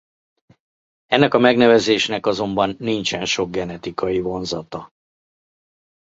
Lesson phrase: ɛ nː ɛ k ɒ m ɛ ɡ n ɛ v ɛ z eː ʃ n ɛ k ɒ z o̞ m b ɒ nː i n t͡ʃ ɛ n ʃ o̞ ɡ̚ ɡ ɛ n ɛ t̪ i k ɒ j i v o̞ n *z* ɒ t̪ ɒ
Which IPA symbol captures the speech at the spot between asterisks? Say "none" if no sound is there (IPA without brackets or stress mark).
z